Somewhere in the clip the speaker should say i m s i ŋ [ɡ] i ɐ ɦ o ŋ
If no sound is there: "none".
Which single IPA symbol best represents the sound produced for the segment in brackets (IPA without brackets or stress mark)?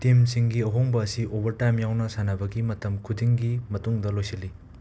ɡ